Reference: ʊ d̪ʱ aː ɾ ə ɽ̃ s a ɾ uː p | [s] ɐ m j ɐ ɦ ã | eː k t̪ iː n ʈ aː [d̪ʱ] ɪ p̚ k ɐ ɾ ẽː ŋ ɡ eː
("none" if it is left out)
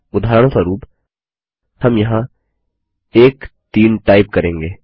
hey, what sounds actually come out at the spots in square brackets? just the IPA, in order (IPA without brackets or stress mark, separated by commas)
h, none